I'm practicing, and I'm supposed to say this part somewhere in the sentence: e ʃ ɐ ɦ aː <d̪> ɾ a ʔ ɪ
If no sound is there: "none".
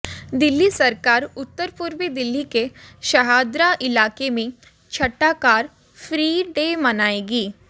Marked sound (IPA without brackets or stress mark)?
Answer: d̪